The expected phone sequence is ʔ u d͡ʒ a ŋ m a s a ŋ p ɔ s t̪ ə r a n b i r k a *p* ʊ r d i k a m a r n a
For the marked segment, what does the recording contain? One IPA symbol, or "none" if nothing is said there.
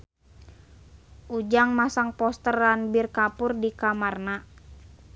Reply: p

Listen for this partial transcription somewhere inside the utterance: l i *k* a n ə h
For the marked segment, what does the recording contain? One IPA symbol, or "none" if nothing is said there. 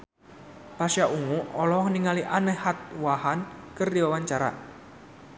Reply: ʔ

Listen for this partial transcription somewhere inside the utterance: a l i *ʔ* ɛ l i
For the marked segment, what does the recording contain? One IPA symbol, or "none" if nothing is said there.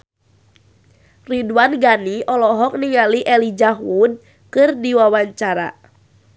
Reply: ʔ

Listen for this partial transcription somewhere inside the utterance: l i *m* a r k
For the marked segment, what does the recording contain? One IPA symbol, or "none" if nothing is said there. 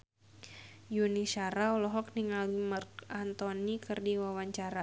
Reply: m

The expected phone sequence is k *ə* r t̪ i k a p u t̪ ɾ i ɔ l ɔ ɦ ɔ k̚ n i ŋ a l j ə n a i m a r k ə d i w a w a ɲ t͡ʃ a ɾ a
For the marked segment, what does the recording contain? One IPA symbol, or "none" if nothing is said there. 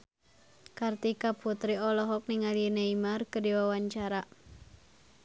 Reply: a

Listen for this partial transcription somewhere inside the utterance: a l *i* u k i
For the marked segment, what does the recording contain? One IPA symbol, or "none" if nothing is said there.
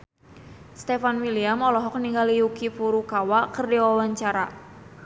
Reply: i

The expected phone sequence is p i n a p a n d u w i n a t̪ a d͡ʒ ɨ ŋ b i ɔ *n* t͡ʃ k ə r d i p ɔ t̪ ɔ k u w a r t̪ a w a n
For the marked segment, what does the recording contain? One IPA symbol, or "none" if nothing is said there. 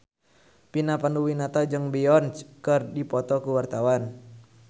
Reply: n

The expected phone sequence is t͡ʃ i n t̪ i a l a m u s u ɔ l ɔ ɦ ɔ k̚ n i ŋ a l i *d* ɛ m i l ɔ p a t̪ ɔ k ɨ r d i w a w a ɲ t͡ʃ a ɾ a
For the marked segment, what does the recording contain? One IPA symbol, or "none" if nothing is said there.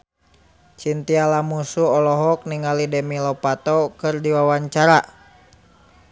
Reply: d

